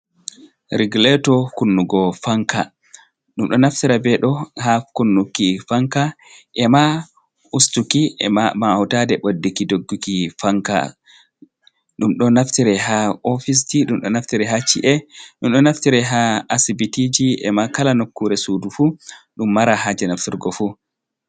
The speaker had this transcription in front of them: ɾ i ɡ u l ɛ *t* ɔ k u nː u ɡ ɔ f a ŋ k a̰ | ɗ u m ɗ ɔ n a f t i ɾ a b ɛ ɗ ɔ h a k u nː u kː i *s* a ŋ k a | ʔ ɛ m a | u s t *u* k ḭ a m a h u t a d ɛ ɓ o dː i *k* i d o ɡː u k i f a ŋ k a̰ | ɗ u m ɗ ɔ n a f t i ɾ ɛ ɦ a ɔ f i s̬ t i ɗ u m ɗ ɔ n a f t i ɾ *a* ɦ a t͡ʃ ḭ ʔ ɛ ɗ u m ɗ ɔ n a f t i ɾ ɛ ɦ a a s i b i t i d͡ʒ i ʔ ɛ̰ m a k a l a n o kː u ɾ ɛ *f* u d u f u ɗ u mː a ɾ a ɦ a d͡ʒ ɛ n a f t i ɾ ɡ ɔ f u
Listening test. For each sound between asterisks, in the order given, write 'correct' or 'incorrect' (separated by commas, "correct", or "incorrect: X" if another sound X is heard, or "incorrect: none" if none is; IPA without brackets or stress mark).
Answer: correct, incorrect: f, correct, correct, incorrect: ɛ, incorrect: s